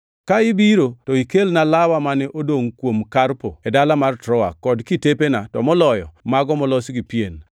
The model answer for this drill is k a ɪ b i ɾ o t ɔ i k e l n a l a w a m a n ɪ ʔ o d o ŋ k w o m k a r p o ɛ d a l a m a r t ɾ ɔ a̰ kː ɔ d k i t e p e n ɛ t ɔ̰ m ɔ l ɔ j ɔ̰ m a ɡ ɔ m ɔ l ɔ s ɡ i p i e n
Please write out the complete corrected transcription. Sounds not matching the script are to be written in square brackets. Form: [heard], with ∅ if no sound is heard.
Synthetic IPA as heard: k a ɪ b i ɾ o t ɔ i k e l n a l a w a m a n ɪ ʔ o d o ŋ k w o m k a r p o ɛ d a l a m a r t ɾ ɔ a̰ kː ɔ d k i t e p e n [a] t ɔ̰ m ɔ l ɔ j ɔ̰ m a ɡ ɔ m ɔ l ɔ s ɡ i p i e n